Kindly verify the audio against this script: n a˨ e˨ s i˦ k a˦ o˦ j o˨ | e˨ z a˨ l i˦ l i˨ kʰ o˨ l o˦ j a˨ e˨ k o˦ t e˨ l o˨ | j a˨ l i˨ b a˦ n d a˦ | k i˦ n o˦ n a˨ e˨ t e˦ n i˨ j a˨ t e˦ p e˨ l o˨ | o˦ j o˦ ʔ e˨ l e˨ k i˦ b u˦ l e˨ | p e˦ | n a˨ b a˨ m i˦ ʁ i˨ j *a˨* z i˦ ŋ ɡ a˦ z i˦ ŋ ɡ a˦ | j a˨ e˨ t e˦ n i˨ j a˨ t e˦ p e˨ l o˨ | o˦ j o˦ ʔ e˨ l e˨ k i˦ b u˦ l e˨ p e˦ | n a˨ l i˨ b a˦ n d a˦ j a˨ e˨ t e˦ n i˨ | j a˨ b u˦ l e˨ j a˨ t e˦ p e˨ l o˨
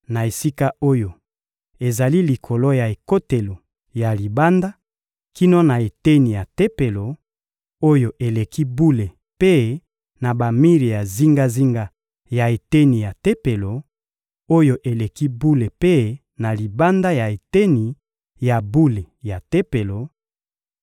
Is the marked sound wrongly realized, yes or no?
no